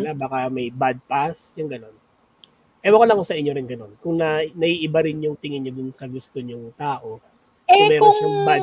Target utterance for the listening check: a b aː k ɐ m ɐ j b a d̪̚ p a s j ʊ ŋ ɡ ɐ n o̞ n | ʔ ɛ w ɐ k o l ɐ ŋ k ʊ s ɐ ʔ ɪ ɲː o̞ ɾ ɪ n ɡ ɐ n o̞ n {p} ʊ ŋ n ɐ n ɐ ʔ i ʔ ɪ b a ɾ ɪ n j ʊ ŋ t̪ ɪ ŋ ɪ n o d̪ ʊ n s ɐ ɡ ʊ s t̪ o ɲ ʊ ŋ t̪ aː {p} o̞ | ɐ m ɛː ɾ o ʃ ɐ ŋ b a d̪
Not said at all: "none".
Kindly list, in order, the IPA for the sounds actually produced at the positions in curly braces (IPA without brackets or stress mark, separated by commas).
k, ʔ